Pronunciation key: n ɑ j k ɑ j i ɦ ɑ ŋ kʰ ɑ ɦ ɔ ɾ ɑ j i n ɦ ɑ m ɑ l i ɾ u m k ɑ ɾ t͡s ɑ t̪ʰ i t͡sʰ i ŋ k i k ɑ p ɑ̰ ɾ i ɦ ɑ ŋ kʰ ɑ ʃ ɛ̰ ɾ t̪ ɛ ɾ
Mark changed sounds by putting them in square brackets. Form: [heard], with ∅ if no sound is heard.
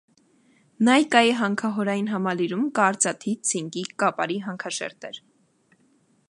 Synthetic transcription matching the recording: n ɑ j k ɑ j i ɦ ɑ ŋ kʰ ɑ ɦ ɔ ɾ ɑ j i n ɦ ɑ m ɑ l i ɾ u m k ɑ ɾ t͡s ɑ t̪ʰ i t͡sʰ i ŋ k i k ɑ p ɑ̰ ɾ i ɦ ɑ ŋ kʰ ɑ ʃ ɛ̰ ɾ t̪ ɛ ɾ